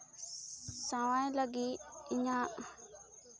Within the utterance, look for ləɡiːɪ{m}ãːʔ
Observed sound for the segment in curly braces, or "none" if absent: ɲ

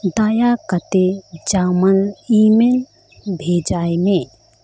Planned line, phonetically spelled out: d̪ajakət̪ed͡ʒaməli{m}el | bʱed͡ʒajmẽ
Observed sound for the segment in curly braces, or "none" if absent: m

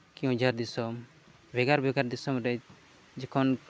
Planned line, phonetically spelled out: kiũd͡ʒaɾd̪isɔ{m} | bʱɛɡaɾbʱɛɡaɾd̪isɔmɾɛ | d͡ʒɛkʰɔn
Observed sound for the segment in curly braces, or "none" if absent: m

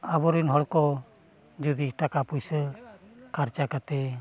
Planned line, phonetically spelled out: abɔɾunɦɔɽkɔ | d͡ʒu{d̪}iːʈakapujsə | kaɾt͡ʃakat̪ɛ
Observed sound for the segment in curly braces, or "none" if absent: d̪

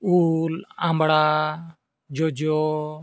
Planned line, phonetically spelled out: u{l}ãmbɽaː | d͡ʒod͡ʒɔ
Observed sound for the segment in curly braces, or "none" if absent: l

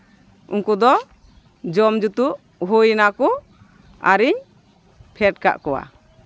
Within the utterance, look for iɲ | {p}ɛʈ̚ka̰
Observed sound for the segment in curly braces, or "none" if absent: pʰ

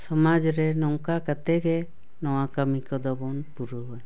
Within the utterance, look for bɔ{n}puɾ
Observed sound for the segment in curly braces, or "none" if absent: n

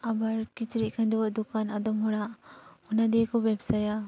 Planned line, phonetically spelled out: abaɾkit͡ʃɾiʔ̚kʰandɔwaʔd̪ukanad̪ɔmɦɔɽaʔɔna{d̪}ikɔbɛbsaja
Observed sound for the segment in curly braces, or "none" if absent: d̪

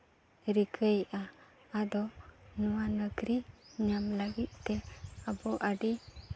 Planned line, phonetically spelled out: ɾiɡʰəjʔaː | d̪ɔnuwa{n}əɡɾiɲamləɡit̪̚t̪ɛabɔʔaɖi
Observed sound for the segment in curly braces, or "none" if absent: n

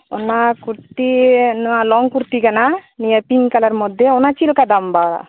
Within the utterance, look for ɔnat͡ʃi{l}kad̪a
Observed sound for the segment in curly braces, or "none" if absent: l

